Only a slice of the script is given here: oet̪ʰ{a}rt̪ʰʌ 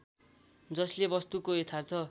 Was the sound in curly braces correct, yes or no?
yes